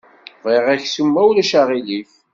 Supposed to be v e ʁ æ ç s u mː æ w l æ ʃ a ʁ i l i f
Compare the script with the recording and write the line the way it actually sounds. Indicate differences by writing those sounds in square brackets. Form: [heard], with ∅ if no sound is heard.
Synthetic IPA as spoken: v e ʁ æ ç s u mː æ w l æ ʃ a ʁ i l i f